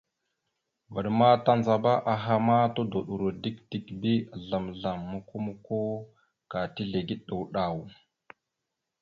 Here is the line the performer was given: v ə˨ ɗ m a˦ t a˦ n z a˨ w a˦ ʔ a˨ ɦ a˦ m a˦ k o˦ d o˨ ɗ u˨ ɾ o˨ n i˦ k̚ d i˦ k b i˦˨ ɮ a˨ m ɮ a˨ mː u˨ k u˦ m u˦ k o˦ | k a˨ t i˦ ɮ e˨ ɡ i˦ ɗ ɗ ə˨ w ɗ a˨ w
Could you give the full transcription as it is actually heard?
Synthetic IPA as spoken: v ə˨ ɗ m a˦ t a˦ n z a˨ b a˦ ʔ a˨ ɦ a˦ m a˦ t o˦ d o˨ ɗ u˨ ɾ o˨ d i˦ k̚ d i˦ k b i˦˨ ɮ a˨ m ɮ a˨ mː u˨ k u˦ m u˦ k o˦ | k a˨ t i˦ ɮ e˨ ɡ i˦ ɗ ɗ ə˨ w ɗ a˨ w